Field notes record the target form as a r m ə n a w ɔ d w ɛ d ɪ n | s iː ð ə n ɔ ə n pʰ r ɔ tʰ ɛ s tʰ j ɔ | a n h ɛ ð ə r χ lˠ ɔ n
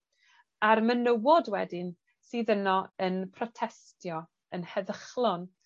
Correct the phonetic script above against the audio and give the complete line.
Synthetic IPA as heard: a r m ə n ə w ɔ d w ɛ d ɪ n | s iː ð ə n ɔ ə n pʰ r ɔ tʰ ɛ s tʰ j ɔ | ə n h ɛ ð ə χ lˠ ɔ n